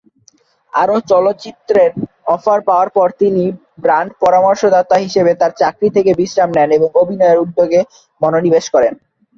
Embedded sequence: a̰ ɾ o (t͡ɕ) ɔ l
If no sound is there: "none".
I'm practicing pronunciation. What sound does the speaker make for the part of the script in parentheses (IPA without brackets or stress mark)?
t͡ɕ